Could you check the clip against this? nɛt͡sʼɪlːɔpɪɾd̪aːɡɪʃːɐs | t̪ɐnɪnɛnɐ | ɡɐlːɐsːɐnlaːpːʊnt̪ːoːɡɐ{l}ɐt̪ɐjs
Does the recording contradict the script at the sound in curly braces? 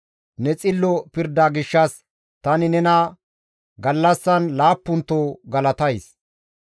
no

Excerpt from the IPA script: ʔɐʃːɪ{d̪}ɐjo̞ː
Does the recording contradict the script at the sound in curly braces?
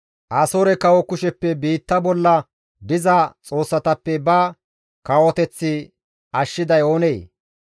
no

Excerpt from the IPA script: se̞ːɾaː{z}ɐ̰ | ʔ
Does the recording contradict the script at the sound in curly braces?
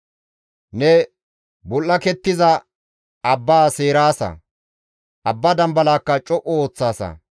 yes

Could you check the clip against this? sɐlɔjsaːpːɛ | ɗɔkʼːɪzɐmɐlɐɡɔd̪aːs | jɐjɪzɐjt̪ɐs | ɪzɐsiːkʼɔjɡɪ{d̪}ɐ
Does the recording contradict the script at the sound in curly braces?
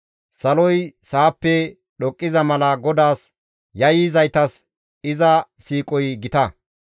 yes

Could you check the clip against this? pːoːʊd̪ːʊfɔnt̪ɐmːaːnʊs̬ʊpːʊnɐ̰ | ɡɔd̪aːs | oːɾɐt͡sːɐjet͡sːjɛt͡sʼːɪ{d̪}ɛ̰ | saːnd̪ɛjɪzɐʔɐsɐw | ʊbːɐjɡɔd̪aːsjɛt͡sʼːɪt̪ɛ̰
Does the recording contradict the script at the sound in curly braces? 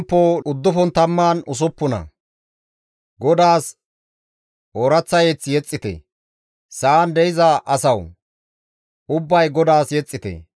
yes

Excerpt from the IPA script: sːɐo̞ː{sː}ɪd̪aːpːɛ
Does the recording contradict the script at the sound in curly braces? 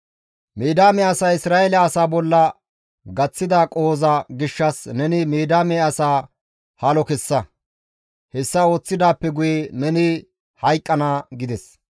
yes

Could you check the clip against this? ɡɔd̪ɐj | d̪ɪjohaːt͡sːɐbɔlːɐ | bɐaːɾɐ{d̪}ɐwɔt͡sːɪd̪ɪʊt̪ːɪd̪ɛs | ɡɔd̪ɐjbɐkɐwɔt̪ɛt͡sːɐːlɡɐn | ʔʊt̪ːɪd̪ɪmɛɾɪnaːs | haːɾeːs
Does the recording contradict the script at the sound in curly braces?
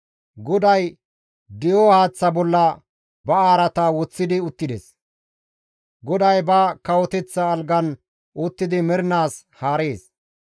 yes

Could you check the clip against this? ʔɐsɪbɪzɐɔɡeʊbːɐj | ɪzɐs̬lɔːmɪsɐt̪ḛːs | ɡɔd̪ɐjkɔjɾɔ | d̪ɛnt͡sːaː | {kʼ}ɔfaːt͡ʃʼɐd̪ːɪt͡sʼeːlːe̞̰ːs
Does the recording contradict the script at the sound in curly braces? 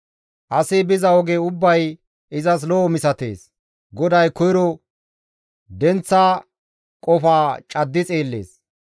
no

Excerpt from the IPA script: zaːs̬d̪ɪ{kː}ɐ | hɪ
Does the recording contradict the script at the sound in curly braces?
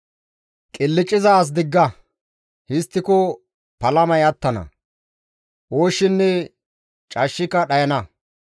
yes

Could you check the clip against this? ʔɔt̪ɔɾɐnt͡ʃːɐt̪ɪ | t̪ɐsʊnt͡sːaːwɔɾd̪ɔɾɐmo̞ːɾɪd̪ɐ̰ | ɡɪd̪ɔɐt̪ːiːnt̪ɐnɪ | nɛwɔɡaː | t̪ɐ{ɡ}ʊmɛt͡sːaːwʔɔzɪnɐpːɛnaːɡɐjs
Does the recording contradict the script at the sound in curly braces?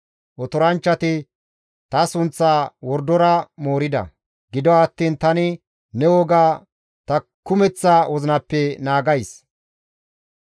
yes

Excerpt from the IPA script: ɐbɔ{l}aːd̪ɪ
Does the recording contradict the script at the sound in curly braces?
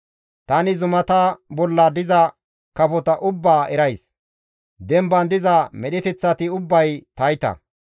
yes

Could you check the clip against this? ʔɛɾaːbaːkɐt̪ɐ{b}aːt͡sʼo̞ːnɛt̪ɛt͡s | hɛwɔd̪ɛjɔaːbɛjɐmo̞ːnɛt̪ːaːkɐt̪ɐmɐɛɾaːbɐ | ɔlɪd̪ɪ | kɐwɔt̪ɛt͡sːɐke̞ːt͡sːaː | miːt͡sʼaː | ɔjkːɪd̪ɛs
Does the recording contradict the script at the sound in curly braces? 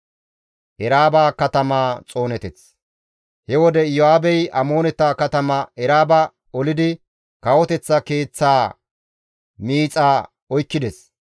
yes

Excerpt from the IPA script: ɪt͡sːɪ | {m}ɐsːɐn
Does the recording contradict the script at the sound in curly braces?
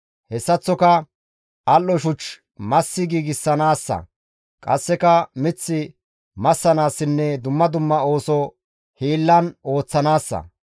no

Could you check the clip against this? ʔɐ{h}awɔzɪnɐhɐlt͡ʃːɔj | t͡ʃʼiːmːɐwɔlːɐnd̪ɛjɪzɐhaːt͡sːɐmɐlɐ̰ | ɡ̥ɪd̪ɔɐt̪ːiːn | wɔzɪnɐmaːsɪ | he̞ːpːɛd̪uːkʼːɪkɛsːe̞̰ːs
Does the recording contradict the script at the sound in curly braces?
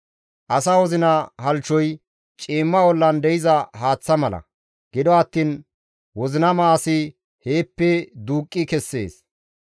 yes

